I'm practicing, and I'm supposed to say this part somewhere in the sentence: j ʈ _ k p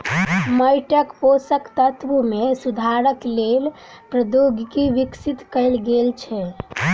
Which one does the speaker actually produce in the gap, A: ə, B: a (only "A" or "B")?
A